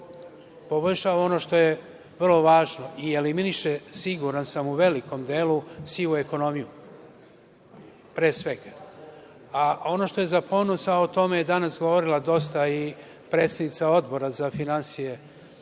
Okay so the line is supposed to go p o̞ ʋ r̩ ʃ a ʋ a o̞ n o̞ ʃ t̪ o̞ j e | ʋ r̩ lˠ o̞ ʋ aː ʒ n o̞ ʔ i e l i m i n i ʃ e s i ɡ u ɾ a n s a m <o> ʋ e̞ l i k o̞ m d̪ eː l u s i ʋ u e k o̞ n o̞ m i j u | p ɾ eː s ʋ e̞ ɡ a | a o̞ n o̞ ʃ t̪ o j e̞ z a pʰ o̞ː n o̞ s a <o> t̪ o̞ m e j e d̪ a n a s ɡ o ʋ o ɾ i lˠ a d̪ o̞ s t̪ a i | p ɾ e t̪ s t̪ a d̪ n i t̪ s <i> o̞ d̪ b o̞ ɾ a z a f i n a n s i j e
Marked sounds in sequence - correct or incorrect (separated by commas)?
incorrect, correct, incorrect